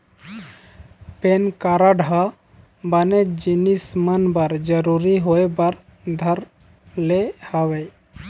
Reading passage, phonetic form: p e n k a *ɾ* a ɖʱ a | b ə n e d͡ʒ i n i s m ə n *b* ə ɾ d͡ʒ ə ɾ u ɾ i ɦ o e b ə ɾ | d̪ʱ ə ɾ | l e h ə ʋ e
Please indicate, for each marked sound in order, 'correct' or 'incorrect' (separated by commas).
correct, correct